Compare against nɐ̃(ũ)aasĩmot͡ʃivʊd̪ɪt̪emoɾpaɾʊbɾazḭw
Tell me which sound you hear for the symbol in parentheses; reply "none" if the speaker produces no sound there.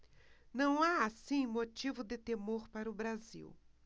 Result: w̃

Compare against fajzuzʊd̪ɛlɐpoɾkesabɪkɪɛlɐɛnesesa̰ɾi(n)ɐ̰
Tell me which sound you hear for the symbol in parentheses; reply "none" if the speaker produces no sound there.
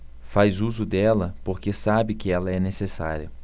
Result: none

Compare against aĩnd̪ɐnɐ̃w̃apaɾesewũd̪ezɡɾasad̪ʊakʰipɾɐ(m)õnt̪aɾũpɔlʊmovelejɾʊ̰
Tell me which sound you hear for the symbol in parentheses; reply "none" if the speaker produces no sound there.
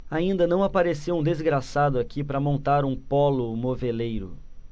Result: m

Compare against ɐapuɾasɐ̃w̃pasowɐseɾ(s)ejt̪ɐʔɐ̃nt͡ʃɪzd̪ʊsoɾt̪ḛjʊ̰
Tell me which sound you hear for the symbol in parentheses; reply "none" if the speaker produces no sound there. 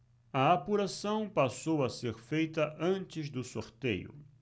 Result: f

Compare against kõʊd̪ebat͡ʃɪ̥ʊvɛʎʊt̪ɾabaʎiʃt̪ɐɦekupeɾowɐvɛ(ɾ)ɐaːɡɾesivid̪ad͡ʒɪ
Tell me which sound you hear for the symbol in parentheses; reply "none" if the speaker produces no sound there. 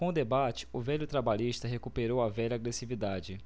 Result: ʎ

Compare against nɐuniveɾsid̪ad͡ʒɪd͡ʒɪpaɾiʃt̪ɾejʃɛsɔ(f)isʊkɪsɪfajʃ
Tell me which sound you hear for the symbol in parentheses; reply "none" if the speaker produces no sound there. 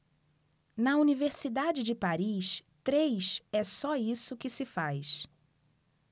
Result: none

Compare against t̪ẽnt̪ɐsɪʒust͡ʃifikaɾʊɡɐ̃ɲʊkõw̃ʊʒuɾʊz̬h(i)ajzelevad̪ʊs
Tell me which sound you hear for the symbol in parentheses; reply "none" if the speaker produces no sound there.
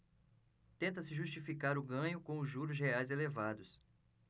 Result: e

